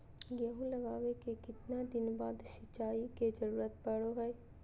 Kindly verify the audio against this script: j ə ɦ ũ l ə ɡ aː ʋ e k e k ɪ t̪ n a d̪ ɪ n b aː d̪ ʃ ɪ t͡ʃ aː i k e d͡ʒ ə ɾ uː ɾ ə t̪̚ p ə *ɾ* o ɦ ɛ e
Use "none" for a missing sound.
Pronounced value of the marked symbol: ɽ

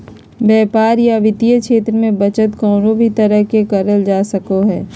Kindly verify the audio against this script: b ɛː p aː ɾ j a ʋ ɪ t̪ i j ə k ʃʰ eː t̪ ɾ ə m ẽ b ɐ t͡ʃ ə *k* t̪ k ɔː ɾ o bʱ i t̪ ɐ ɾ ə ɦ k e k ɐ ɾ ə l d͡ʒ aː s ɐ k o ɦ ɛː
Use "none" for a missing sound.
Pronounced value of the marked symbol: none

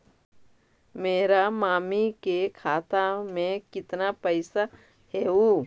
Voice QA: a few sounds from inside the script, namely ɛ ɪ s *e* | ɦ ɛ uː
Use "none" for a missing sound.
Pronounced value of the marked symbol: a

